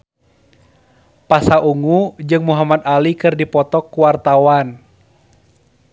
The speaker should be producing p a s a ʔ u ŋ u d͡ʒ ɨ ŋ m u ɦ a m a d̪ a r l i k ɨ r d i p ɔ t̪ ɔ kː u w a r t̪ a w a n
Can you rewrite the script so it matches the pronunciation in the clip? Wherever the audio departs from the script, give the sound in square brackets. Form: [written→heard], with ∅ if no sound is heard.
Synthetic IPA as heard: p a s a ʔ u ŋ u d͡ʒ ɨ ŋ m u ɦ a m a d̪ a [r→∅] l i k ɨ r d i p ɔ t̪ ɔ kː u w a r t̪ a w a n